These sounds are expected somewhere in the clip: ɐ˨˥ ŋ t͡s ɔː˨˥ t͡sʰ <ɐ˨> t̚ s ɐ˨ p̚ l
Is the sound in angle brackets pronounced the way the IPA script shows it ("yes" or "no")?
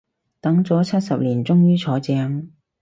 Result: no